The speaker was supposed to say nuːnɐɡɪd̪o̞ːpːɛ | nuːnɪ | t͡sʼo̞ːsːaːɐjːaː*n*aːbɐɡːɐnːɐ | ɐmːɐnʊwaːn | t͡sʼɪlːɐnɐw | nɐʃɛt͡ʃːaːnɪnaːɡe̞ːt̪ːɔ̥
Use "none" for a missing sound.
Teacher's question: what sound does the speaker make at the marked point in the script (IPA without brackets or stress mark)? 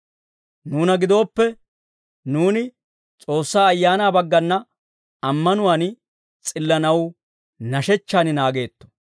n